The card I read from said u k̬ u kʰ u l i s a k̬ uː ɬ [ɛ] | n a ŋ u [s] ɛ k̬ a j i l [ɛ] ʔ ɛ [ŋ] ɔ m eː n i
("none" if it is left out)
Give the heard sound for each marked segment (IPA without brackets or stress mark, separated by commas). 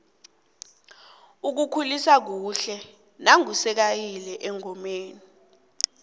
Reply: ɛ, s, ɛ, ŋ